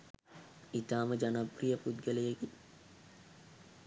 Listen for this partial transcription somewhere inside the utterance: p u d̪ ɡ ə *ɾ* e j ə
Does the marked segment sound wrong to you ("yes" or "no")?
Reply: yes